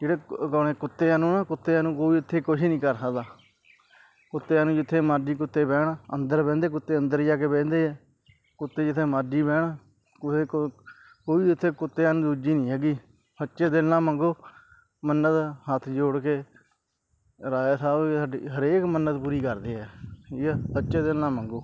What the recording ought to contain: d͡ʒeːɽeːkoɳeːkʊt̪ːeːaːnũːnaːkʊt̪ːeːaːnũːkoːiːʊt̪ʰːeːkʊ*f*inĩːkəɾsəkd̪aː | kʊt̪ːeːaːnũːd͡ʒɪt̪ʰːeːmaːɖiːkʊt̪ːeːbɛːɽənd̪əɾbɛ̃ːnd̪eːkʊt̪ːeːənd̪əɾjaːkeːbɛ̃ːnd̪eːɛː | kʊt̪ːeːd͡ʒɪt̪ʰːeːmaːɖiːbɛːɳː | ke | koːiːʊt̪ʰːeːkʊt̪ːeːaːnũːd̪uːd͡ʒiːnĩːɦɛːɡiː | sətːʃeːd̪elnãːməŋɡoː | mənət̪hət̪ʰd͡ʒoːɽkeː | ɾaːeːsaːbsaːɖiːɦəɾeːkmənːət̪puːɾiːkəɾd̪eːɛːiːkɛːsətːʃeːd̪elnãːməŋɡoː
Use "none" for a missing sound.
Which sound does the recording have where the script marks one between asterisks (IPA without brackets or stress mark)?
ʃ